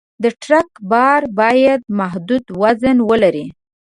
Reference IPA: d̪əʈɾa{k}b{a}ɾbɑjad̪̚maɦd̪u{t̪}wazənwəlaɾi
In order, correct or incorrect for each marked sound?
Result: correct, incorrect: ɑ, incorrect: d̪

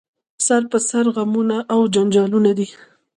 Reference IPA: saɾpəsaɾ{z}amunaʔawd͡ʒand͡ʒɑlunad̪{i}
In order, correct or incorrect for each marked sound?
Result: incorrect: ɣ, correct

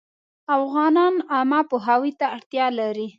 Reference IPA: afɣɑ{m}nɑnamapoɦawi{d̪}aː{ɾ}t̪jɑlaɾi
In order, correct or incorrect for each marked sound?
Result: incorrect: none, incorrect: t̪, incorrect: ɽ

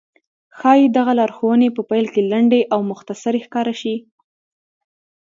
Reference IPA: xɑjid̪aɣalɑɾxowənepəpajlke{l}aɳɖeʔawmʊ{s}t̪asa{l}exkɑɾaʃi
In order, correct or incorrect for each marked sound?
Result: correct, incorrect: x, incorrect: ɾ

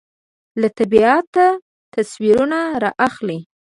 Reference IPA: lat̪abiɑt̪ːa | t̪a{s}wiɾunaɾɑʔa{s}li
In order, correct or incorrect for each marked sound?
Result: correct, incorrect: x

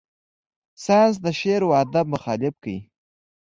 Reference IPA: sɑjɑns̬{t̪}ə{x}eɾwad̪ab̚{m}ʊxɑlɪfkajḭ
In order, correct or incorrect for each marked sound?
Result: incorrect: d̪, incorrect: ʃ, correct

